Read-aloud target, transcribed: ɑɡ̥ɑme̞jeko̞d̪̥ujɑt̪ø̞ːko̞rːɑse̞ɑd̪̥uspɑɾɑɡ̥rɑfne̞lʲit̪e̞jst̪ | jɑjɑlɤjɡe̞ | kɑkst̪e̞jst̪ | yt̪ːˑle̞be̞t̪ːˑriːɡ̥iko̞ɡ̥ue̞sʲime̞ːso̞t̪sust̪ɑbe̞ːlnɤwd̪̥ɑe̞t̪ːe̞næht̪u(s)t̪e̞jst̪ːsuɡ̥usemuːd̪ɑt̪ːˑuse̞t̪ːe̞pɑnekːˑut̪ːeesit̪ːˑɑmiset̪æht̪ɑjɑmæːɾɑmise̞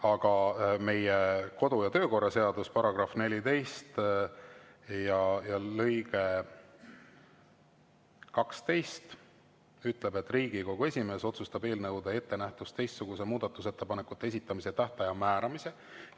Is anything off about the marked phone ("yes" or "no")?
no